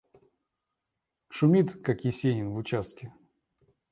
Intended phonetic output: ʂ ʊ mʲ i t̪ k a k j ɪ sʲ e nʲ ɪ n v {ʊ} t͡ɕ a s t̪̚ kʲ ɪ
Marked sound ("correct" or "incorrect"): correct